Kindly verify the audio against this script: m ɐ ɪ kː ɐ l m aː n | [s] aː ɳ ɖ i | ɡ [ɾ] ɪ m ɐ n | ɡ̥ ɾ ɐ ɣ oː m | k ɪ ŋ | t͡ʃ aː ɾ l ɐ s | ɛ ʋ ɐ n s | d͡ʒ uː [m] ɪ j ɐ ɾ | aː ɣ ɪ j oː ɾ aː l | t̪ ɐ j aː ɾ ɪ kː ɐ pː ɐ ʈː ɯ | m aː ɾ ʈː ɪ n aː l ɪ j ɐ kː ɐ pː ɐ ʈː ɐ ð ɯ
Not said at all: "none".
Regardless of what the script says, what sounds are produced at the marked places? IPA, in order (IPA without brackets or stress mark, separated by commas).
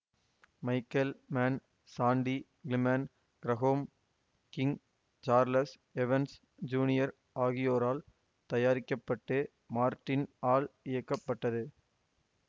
s, l, n